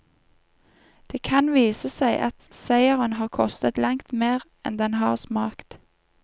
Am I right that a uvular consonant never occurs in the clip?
no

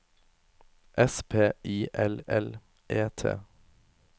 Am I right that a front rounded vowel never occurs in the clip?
yes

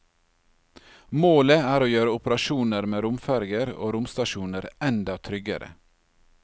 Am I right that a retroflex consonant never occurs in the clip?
yes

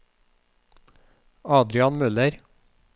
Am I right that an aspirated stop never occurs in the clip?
yes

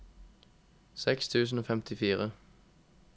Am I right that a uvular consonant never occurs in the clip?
no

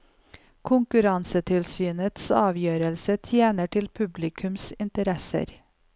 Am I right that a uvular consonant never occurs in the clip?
yes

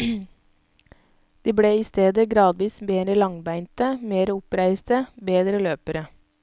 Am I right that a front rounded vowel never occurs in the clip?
no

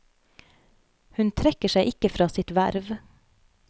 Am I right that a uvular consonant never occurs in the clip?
yes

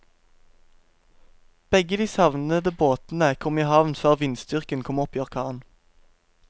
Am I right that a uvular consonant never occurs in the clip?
no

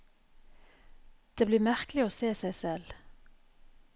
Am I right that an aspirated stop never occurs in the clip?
yes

